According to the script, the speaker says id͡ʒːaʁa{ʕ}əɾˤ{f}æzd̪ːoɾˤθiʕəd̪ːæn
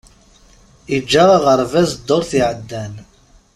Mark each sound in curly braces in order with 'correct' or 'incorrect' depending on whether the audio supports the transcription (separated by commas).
incorrect, incorrect